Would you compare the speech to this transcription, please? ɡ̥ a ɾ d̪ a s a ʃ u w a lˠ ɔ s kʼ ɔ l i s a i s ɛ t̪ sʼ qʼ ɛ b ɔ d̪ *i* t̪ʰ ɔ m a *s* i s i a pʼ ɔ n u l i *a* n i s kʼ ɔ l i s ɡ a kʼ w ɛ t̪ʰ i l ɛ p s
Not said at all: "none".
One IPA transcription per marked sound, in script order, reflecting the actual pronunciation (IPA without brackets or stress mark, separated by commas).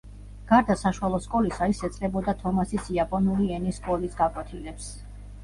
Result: a, s, ɛ